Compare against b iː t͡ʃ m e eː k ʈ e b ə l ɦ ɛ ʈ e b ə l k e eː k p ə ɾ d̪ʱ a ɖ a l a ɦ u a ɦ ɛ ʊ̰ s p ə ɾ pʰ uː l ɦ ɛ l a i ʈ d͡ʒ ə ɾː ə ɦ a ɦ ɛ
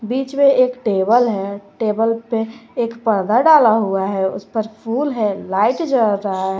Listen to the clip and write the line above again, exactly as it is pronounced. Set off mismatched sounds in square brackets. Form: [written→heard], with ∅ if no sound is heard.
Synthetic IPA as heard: b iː t͡ʃ m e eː k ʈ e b ə l ɦ ɛ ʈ e b ə l [k→p] e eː k p ə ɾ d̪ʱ a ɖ a l a ɦ u a ɦ ɛ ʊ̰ s p ə ɾ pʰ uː l ɦ ɛ l a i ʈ d͡ʒ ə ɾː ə ɦ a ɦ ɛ